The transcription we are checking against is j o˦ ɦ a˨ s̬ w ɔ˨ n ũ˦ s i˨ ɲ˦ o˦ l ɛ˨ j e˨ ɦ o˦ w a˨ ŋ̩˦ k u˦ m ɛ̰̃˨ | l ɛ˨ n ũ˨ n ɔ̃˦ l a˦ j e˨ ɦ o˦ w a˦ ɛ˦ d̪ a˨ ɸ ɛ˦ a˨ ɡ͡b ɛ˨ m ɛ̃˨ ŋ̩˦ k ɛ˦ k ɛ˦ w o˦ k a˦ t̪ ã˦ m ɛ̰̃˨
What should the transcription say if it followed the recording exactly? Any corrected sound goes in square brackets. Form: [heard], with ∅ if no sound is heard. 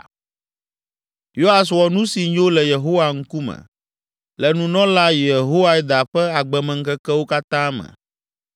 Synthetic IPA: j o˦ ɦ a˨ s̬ w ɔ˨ n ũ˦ s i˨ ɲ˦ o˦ l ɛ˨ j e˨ ɦ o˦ w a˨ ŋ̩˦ k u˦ m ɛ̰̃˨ | l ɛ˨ n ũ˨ n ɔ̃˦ l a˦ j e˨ ɦ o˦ w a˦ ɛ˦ d̪ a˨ ɸ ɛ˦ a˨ ɡ͡b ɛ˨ m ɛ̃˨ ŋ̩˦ k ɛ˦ k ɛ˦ w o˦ k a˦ t̪ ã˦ m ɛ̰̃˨